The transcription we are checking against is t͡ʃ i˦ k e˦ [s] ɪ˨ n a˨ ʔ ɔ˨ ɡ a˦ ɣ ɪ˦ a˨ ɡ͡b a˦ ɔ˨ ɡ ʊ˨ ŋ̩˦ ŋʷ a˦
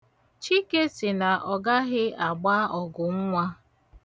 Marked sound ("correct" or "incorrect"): correct